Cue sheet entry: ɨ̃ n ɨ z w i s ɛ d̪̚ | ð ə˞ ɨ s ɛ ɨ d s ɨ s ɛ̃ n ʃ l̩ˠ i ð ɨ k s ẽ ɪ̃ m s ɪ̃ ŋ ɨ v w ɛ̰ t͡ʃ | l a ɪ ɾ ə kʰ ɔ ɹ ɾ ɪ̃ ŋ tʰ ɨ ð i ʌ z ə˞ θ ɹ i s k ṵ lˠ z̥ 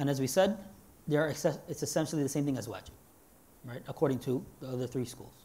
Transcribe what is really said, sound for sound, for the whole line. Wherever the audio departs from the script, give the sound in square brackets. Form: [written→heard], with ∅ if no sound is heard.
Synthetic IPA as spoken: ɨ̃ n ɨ z w i s ɛ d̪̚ | ð ə˞ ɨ s ɛ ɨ [d→t] s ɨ s ɛ̃ n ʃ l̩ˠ i ð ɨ [k→∅] s ẽ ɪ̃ m [s→θ] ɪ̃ ŋ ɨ [v→z] w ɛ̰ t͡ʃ | [l→ɹ] a ɪ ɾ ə kʰ ɔ ɹ ɾ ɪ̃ ŋ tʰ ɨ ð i ʌ [z→ð] ə˞ θ ɹ i s k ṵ lˠ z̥